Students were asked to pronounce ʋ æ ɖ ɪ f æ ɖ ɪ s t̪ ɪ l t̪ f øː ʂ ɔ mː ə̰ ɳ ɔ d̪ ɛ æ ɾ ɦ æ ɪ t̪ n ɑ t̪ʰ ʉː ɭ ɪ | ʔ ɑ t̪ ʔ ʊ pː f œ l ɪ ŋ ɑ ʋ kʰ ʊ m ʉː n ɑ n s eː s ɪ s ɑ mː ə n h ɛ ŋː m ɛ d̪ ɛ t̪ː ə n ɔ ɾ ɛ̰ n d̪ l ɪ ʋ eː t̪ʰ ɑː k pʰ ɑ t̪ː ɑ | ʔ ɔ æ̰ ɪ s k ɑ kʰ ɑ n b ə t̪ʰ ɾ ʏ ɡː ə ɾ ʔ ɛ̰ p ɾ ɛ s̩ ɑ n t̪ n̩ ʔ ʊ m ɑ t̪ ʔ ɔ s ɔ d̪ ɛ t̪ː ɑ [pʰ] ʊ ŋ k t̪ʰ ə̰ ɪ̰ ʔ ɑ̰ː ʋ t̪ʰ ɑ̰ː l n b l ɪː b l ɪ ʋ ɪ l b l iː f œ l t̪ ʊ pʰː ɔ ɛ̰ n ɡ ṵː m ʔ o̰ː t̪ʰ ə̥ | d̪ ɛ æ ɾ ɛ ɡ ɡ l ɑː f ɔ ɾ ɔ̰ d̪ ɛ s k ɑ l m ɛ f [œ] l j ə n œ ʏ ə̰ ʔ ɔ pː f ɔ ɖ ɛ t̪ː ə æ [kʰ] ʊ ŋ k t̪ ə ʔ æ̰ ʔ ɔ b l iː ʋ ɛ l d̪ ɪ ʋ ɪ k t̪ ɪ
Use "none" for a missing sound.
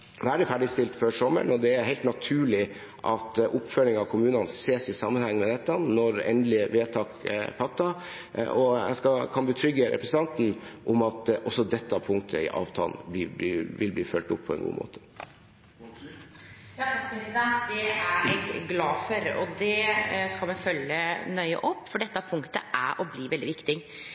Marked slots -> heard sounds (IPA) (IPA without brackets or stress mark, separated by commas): pʰ, œ, pʰ